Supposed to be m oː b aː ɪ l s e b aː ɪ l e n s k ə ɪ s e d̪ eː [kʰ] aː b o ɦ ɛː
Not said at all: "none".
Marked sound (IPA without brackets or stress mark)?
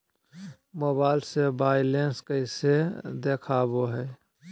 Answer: kʰ